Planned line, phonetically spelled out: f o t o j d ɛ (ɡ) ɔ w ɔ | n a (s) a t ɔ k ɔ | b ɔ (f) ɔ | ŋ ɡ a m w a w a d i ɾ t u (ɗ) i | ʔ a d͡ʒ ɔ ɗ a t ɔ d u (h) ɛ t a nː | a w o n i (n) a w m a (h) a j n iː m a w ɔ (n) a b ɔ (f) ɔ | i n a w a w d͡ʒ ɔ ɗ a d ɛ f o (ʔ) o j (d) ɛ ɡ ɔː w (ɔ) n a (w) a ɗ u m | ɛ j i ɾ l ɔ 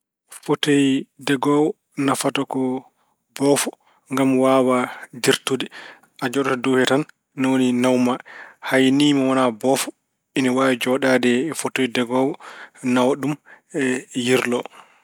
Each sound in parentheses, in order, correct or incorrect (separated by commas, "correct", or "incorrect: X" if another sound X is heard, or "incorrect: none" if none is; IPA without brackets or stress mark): correct, incorrect: f, correct, incorrect: d, correct, correct, correct, correct, correct, incorrect: t, correct, correct, correct